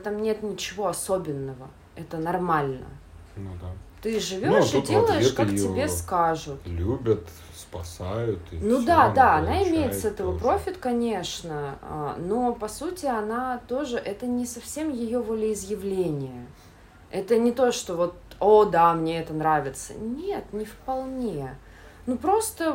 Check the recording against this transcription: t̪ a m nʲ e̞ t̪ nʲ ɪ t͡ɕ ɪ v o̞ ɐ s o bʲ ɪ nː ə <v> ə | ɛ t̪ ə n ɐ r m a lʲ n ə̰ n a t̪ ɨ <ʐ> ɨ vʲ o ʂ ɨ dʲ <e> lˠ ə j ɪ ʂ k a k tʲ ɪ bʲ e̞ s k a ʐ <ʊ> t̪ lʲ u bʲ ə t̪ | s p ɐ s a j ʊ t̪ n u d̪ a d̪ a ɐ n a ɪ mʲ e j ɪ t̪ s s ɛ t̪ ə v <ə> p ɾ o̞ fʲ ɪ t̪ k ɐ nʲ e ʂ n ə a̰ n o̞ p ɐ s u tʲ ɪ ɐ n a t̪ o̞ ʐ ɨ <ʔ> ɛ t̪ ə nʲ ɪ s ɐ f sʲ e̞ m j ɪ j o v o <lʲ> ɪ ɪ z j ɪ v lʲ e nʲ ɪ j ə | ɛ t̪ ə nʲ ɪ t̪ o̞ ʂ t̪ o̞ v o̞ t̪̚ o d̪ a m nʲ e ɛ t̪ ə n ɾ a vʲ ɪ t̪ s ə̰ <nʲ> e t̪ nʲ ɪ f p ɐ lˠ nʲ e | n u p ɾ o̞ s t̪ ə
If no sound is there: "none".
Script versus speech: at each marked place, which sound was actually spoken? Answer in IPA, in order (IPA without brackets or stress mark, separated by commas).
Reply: v, ʐ, e, ʊ, ə, ʔ, lʲ, nʲ